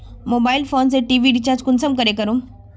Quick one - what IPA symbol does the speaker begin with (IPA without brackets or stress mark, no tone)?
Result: m